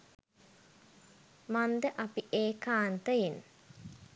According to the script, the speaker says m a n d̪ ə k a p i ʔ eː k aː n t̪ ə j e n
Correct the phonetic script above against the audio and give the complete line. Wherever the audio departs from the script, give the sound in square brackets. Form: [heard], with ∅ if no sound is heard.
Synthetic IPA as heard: m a n d̪ ə [ʔ] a p i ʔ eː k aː n t̪ ə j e n